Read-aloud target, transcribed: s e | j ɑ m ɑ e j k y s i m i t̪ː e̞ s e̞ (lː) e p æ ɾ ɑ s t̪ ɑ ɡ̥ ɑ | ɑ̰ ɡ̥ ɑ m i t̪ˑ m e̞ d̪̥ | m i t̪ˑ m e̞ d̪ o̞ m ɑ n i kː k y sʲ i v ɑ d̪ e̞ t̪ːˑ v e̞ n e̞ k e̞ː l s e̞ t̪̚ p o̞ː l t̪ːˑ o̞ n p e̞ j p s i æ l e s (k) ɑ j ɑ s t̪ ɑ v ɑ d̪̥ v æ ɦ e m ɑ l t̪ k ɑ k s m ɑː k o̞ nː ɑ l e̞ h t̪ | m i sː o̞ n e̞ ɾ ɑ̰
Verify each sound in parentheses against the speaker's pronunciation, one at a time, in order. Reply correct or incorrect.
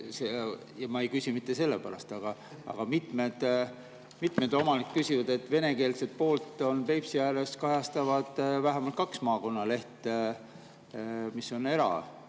correct, correct

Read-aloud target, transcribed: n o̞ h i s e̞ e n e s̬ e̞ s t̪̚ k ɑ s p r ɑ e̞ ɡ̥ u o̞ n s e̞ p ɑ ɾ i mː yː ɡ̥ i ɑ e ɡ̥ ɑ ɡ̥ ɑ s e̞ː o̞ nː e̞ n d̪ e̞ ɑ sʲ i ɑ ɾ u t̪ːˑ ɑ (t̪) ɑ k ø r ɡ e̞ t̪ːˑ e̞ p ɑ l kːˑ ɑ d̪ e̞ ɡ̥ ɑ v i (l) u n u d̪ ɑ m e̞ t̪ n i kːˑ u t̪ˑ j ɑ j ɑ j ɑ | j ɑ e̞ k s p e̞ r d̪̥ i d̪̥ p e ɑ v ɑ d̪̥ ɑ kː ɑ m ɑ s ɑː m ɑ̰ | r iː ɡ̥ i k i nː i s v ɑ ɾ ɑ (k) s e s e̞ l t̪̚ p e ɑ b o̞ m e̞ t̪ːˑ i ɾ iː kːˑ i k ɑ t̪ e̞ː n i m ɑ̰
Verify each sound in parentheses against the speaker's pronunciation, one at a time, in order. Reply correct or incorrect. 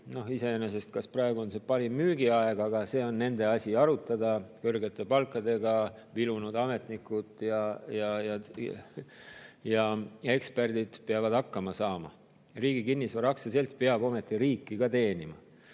incorrect, correct, correct

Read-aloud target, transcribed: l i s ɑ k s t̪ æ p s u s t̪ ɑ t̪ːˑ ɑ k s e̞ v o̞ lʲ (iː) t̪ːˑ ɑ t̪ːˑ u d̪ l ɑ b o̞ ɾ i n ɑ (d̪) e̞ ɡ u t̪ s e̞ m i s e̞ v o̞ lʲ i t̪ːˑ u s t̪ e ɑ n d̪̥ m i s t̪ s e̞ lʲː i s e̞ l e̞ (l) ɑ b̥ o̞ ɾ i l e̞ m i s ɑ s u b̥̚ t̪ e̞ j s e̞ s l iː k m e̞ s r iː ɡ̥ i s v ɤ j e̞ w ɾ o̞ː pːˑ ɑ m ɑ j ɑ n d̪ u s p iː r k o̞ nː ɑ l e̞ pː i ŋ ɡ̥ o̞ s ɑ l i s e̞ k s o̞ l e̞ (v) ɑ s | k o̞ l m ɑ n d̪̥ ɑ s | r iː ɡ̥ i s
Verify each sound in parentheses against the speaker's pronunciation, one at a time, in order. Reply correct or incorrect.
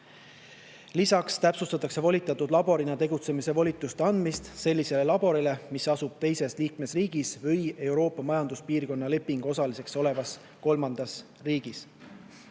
incorrect, incorrect, correct, correct

